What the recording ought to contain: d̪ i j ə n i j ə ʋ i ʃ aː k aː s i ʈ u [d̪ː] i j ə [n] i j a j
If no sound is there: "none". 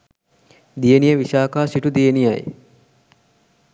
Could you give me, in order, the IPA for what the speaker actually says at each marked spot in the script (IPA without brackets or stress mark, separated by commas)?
d̪, n